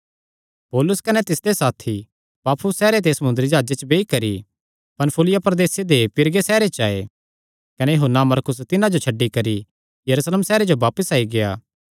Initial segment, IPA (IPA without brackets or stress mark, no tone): p